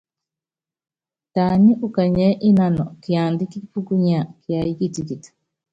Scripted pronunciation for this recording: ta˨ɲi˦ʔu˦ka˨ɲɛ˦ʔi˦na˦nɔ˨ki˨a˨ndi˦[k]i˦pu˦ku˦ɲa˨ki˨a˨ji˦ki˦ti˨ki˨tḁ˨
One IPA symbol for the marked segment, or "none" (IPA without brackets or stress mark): k